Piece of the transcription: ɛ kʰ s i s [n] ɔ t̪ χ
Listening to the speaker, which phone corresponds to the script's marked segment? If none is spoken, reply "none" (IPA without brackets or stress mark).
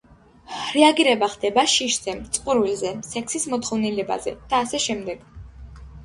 m